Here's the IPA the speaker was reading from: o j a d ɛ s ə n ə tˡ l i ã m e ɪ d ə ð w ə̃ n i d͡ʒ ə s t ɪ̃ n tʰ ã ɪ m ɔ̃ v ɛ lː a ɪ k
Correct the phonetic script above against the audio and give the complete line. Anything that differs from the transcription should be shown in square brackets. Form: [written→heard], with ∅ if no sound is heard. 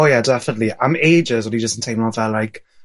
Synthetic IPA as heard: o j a d ɛ [s→f] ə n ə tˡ l i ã m e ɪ [d→d͡ʒ] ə [ð→z] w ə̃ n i d͡ʒ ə s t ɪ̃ n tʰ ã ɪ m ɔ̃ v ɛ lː a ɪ k

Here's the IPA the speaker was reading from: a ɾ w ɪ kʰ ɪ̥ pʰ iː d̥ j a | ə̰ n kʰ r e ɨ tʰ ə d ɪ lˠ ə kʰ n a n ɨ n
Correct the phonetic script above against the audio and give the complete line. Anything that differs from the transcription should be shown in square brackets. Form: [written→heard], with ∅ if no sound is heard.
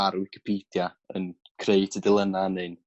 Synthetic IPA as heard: a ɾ w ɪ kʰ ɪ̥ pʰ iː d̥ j a | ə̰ n kʰ r e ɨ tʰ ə d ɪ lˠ ə [kʰ→∅] n a n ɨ n

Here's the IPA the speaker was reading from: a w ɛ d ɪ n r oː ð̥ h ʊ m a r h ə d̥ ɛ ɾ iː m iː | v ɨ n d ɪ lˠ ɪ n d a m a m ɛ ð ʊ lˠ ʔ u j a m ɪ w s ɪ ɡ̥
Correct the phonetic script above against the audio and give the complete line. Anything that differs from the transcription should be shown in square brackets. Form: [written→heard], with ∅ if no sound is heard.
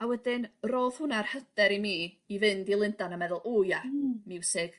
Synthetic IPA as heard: a w ɛ d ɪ n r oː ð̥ h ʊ [m→n] a r h ə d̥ ɛ ɾ [iː→i] m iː | v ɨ n d [ɪ→i] lˠ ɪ n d a [m→n] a m ɛ ð ʊ lˠ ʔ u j a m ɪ w s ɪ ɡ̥

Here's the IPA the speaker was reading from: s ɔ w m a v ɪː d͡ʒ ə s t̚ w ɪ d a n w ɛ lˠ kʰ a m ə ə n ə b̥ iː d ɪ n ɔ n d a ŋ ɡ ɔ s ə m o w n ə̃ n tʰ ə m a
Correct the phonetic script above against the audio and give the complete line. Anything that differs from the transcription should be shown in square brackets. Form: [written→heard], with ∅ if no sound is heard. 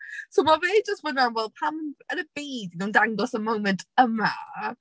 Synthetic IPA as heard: s [ɔ→o] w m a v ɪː d͡ʒ ə s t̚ w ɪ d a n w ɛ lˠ [kʰ→pʰ] a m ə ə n ə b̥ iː d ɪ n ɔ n d a ŋ ɡ ɔ s ə m o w [n→m] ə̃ n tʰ ə m a

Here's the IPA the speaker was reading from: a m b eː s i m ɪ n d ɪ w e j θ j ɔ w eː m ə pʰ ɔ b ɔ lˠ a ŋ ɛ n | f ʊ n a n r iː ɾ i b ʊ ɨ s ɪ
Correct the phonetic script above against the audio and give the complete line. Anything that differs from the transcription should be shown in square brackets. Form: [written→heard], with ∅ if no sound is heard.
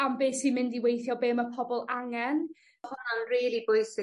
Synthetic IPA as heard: a m b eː s i m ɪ n d [ɪ→i] w e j θ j ɔ [w→b] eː m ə pʰ ɔ b ɔ lˠ a ŋ ɛ n | [f→h] ʊ n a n r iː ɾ i b ʊ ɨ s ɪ

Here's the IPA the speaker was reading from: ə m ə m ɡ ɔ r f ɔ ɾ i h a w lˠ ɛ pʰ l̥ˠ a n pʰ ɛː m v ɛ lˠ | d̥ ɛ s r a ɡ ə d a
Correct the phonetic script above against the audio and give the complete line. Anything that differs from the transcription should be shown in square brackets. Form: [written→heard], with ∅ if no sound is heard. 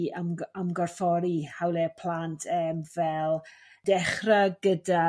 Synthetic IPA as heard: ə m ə m ɡ ɔ r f ɔ ɾ i h a w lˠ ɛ pʰ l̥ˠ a n [pʰ→tʰ] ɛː m v ɛ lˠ | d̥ ɛ [s→χ] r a ɡ ə d a

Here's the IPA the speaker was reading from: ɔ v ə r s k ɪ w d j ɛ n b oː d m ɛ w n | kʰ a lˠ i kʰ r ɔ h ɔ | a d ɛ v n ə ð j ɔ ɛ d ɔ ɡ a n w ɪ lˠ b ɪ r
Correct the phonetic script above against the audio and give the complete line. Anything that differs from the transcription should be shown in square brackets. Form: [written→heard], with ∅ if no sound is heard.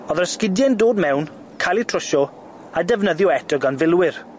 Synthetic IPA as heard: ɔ [v→ð] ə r s k ɪ [w→∅] d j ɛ n [b→d] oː d m ɛ w n | kʰ a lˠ i [kʰ→tʰ] r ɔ [h→ʃ] ɔ | a d ɛ v n ə ð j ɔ ɛ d ɔ ɡ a n [w→v] ɪ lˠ [b→w] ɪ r

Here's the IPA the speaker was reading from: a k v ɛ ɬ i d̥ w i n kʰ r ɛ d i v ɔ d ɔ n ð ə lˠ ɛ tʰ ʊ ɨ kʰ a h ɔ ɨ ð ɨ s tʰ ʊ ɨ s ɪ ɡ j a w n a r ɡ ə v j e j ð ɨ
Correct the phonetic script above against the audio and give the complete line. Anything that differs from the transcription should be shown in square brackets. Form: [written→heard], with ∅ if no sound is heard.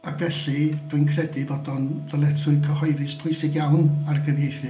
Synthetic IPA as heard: a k v ɛ ɬ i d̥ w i n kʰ r ɛ d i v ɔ d ɔ n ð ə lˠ ɛ tʰ ʊ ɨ kʰ [a→ə] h ɔ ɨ ð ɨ s [tʰ→pʰ] ʊ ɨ s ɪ ɡ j a w n a r ɡ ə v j e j [ð→θ] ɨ

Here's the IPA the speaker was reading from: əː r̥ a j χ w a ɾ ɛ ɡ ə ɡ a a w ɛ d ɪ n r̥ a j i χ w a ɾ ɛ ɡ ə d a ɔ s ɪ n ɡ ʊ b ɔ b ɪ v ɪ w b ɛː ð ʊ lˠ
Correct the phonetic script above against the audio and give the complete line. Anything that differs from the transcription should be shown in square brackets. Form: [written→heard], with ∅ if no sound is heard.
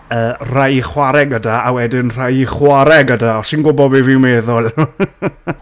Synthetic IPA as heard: əː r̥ a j χ w a ɾ ɛ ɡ ə [ɡ→d] a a w ɛ d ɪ n r̥ a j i χ w a ɾ ɛ ɡ ə d a ɔ s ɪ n ɡ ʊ b ɔ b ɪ v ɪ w [b→m] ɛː ð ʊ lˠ

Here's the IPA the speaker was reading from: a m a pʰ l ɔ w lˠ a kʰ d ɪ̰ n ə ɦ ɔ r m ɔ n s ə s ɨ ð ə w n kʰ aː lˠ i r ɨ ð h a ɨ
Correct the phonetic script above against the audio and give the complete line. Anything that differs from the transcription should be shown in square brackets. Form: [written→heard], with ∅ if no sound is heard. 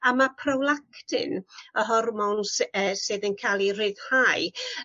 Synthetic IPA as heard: a m a pʰ [l→r] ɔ w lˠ a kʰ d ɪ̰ n ə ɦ ɔ r m ɔ n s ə s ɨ ð ə [w→∅] n kʰ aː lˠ i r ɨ ð h a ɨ

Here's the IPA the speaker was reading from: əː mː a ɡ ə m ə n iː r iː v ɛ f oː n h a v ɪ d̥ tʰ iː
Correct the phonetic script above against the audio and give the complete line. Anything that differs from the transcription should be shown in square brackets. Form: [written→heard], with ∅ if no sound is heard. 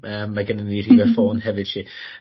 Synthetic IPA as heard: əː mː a ɡ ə [m→n] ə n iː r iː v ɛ f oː n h [a→ɛ] v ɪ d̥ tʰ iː

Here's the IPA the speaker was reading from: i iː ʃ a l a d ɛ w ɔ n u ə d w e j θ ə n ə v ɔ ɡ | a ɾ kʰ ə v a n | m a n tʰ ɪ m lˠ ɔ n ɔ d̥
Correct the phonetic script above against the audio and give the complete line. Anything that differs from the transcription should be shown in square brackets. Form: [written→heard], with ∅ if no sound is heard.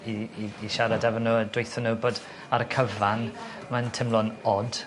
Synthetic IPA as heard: i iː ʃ a [l→ɾ] a d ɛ [w→v] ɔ n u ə d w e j θ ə n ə [v→b] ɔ [ɡ→d] | a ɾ kʰ ə v a n | m a n tʰ ɪ m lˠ ɔ n ɔ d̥

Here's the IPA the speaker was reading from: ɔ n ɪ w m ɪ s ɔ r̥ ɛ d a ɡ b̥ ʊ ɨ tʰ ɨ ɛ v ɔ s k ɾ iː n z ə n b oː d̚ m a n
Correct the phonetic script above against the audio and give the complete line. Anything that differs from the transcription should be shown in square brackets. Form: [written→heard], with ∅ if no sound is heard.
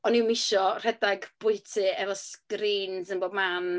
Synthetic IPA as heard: ɔ n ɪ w m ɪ [s→ʃ] ɔ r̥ ɛ d a ɡ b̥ ʊ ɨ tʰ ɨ ɛ v ɔ s k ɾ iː n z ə n b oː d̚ m a n

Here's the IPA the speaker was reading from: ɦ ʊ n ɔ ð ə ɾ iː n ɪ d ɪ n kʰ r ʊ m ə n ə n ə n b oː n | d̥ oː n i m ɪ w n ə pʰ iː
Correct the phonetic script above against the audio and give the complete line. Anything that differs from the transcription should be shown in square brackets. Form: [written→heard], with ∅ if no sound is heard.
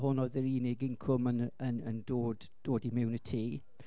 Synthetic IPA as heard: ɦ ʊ n ɔ ð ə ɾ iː n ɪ [d→ɡ] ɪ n kʰ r ʊ m ə n ə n ə n [b→d] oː [n→d] | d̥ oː [n→d] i m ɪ w n ə [pʰ→tʰ] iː

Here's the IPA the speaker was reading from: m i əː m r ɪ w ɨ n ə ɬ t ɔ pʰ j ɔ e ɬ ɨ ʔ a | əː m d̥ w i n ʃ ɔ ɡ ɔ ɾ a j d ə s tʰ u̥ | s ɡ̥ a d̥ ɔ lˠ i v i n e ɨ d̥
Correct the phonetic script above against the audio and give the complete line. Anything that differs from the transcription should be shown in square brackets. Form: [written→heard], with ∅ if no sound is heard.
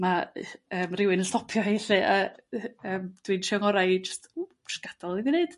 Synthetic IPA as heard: m [i→a] əː m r ɪ w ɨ n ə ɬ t ɔ pʰ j ɔ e ɬ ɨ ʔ a | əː m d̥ w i n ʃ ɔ [ɡ→ŋ] ɔ ɾ a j [d→d͡ʒ] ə s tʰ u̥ | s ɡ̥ a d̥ ɔ lˠ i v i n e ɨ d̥

